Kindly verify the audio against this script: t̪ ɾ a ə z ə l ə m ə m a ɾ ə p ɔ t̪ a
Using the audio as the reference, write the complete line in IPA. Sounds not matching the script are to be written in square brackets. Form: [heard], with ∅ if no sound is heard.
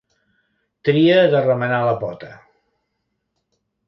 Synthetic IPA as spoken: t̪ ɾ [i] ə [ð] ə [r] ə m ə [n] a [l] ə p ɔ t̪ [ə]